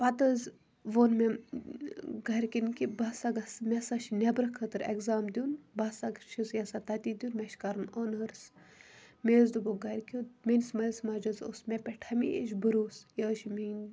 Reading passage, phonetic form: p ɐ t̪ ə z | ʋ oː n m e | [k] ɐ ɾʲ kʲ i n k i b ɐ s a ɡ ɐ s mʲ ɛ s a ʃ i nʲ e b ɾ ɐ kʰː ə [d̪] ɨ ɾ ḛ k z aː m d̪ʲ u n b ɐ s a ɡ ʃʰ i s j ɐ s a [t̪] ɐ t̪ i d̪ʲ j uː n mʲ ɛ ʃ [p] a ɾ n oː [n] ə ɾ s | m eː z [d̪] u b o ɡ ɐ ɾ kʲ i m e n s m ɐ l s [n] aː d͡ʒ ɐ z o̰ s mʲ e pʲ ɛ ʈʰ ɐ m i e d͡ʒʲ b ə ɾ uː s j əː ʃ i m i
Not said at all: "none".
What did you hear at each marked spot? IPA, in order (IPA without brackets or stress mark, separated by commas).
ɡ, t̪, t̪, k, n, d̪, m